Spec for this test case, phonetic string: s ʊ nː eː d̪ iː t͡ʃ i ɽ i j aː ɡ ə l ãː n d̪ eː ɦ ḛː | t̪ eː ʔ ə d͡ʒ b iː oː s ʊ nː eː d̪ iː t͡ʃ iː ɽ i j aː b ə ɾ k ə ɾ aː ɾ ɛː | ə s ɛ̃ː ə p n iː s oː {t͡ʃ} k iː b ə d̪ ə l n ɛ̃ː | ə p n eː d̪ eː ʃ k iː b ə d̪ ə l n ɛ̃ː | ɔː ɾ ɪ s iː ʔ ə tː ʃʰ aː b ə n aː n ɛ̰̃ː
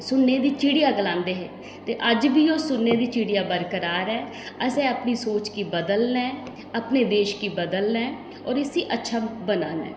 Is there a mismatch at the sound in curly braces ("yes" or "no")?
no